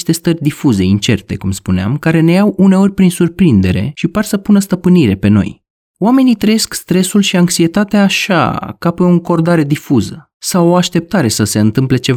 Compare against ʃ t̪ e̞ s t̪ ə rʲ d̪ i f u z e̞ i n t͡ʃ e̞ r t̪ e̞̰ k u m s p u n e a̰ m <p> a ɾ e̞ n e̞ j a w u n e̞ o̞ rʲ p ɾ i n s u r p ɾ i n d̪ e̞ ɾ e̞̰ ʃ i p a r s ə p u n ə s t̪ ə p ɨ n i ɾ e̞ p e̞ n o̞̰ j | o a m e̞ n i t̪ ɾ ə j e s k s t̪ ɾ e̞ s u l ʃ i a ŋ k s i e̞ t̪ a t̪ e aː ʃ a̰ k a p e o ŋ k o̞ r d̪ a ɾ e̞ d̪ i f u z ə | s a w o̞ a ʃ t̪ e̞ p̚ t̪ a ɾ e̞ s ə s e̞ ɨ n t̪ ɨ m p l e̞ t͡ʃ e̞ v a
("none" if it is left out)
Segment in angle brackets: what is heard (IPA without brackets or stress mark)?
k